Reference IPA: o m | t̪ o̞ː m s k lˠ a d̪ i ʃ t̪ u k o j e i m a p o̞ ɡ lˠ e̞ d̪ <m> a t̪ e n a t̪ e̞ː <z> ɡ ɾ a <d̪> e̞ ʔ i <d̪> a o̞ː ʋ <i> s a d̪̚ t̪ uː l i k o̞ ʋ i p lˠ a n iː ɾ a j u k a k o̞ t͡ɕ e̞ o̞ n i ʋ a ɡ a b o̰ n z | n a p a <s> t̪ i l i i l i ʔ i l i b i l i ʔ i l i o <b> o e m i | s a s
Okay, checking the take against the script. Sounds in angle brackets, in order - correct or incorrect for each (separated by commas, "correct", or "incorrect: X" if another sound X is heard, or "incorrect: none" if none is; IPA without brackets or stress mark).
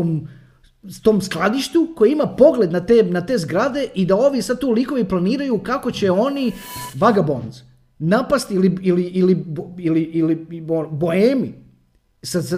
incorrect: n, correct, correct, correct, correct, correct, correct